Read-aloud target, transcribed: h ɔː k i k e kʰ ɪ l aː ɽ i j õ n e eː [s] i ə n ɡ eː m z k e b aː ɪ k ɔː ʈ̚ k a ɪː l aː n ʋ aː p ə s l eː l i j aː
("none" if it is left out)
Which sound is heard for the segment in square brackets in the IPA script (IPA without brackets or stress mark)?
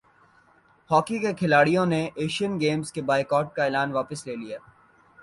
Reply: ʃ